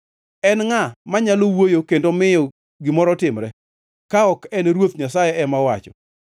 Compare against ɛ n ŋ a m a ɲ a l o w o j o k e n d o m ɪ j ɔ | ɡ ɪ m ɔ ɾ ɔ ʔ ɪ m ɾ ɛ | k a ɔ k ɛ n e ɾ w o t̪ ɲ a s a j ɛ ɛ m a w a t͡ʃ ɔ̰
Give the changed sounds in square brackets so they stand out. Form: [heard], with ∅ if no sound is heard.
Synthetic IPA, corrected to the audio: ɛ n ŋ a m a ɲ a l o w o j o k e n d o m ɪ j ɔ | ɡ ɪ m ɔ ɾ ɔ [t] ɪ m ɾ ɛ | k a ɔ k ɛ n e ɾ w o t̪ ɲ a s a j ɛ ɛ m a w a t͡ʃ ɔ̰